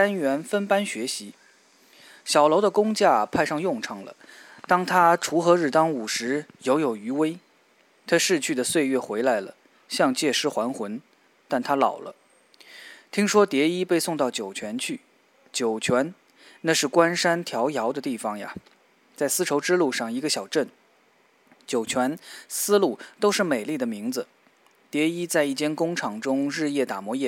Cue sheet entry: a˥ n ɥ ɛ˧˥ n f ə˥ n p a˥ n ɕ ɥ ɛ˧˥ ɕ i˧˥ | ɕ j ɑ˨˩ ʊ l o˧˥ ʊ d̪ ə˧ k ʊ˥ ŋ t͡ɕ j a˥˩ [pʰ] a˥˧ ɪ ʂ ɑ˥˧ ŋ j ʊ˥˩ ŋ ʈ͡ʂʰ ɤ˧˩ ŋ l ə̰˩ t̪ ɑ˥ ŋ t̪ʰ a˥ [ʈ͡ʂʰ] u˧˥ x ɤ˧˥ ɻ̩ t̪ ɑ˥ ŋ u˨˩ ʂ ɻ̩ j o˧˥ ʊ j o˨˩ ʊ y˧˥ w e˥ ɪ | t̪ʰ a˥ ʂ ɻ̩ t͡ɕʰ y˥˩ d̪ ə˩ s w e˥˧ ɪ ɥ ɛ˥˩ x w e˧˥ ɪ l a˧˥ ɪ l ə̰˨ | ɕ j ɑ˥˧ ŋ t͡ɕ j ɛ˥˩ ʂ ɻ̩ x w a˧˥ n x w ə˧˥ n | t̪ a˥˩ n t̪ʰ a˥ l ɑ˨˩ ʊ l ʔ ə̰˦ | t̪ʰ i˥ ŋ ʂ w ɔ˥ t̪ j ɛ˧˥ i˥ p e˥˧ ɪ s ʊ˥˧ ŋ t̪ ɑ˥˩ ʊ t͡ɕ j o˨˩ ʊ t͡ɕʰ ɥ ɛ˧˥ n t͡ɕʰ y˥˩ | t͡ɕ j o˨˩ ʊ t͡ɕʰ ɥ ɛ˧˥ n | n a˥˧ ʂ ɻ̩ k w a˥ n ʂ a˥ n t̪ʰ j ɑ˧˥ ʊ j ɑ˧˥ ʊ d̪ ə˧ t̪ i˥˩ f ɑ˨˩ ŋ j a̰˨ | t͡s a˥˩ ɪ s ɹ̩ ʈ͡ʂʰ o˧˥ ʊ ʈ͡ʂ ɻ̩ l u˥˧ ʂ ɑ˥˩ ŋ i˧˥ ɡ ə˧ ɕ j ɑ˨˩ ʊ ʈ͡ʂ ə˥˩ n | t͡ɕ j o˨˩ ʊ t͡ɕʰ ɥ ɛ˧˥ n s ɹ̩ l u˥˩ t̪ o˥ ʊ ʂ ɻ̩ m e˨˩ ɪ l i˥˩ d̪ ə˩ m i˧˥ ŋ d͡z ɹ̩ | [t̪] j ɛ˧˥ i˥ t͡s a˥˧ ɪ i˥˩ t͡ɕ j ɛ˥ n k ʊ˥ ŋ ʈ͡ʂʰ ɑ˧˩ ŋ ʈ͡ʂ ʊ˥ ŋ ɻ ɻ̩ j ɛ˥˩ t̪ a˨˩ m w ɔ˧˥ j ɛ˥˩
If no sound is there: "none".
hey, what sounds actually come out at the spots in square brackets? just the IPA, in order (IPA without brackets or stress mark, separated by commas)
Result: pʰ, ʈ͡ʂʰ, t̪